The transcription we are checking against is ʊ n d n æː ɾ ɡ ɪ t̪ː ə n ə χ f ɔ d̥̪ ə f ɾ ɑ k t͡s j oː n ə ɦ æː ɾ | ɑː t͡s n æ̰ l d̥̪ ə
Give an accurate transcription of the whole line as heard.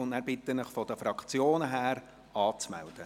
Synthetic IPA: ʊ n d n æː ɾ b ɪ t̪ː ə n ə χ f ɔ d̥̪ ə f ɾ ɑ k t͡s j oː n ə ɦ æː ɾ | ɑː t͡s m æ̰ l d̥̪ ə